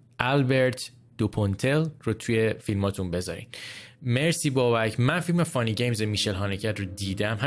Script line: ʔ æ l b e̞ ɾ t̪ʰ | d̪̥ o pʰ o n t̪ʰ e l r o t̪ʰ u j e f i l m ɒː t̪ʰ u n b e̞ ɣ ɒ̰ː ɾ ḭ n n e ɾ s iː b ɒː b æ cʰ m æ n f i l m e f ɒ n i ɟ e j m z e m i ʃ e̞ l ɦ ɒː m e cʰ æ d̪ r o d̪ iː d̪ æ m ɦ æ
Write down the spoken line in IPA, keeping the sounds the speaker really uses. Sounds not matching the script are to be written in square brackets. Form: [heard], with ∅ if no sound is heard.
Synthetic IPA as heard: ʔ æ l b e̞ ɾ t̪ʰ | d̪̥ o pʰ o n t̪ʰ e l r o t̪ʰ u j e f i l m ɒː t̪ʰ u n b e̞ [z] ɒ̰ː ɾ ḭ n [m] e ɾ s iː b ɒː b æ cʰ m æ n f i l m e f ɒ n i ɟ e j m z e m i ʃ e̞ l ɦ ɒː [n] e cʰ æ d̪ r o d̪ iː d̪ æ m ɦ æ